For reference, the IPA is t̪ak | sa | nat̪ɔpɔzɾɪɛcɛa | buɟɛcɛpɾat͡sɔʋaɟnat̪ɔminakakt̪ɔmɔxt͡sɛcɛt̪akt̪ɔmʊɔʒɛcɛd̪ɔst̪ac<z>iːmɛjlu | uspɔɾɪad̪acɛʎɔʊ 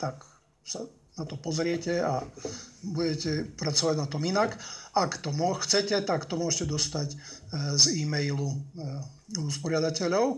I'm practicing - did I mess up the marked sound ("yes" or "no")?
no